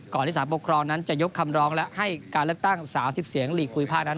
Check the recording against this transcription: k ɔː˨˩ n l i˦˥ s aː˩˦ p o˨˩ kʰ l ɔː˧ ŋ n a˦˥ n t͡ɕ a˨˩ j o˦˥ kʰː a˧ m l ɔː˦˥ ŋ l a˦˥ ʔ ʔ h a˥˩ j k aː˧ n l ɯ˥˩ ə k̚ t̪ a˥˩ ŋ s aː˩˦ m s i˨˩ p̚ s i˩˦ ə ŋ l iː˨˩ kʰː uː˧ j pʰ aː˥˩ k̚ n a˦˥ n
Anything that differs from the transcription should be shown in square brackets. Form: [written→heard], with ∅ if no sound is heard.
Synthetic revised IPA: k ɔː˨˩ n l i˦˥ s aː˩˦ p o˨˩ kʰ [l→ɾ] ɔː˧ ŋ n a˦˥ n t͡ɕ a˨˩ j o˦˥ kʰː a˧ m [l→ɾ] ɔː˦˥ ŋ l [a˦˥→ɛ˦˥] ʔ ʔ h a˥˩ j k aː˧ n l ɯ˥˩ ə k̚ t̪ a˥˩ ŋ s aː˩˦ m s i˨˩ p̚ s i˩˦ ə ŋ l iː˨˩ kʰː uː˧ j pʰ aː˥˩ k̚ n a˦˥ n